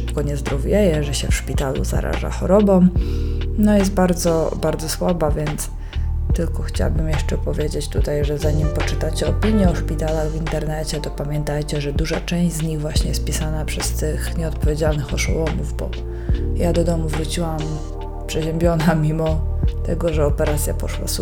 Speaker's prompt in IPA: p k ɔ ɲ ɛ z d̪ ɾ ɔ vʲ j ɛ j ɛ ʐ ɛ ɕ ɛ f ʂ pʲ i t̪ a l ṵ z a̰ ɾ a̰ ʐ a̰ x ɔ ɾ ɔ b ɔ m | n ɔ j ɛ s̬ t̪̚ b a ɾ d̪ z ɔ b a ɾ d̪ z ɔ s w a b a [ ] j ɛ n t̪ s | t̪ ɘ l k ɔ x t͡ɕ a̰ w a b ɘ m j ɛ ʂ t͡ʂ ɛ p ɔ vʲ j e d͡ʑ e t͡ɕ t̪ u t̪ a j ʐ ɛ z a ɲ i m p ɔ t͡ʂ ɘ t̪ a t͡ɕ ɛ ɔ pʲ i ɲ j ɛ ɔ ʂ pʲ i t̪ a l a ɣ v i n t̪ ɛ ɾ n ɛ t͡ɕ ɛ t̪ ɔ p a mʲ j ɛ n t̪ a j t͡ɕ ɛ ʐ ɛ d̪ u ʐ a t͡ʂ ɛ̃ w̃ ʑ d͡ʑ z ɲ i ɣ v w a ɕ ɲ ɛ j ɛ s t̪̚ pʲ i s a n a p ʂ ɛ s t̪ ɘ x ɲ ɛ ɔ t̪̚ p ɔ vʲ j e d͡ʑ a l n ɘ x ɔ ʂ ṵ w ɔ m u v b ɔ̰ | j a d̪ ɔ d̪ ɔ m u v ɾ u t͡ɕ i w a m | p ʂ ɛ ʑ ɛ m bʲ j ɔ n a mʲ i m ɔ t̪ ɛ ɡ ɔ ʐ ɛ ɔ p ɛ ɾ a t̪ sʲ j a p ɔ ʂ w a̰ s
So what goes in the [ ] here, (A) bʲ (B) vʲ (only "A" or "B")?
B